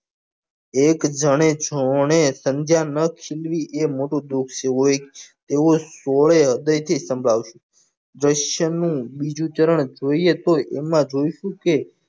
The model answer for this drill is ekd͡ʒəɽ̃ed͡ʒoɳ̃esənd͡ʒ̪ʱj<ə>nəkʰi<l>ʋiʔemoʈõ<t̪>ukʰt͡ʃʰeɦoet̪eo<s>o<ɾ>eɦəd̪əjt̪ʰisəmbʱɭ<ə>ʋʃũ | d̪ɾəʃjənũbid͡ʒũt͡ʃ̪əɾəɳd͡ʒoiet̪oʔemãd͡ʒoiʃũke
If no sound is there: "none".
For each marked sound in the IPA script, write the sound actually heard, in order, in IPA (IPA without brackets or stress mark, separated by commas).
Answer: a, l, d̪, s, ɭ, a